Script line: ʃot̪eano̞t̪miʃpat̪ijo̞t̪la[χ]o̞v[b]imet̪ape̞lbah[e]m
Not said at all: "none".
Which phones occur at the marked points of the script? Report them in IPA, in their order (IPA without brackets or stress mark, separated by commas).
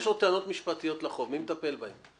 χ, m, e